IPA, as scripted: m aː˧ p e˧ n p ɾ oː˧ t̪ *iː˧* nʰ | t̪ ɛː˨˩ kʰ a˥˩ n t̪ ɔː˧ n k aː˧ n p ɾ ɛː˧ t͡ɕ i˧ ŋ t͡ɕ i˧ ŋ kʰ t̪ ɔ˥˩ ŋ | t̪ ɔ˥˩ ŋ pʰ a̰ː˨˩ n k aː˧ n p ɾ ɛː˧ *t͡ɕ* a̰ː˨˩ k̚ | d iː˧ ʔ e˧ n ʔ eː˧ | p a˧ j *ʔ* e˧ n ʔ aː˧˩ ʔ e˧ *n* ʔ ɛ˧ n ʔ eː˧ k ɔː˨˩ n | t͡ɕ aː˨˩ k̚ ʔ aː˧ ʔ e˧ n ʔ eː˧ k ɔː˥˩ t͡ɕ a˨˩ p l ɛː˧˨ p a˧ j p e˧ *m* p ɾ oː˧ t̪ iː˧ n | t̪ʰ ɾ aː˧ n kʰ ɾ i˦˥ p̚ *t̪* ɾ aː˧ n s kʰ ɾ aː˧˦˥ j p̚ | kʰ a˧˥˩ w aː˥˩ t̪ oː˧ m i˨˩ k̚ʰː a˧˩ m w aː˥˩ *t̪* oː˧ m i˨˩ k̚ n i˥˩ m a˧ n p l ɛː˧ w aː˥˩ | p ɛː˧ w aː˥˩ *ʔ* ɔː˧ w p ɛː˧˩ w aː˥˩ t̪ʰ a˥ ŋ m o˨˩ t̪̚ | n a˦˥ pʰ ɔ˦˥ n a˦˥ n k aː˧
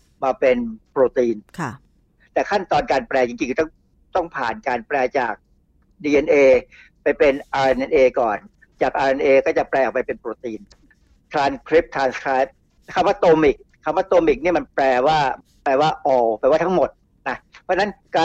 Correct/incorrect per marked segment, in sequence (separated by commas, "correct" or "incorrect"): correct, correct, incorrect, correct, incorrect, incorrect, correct, correct